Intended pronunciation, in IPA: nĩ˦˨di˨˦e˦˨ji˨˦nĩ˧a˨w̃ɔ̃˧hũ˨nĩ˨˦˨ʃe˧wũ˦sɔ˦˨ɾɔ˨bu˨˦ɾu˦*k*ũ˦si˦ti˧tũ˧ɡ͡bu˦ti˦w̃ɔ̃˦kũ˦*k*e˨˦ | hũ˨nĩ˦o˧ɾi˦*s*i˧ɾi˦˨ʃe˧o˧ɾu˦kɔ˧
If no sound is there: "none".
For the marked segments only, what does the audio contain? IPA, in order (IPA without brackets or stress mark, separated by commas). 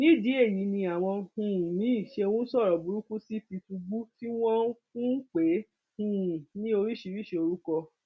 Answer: k, k͡p, ʃ